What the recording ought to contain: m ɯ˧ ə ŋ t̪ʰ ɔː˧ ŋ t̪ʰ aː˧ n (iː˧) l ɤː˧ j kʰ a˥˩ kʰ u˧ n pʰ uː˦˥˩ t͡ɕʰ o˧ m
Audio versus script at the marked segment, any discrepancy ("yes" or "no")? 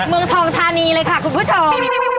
no